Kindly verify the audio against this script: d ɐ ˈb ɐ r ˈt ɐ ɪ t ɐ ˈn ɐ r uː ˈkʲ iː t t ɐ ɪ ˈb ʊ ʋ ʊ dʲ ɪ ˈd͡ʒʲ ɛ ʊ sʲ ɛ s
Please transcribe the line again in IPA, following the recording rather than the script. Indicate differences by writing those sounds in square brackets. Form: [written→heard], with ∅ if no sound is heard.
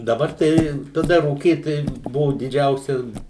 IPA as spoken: d ɐ ˈb ɐ r ˈt ɐ ɪ t ɐ [ˈn→ˈd] ɐ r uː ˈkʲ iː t t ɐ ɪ ˈb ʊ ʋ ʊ dʲ ɪ ˈd͡ʒʲ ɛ ʊ sʲ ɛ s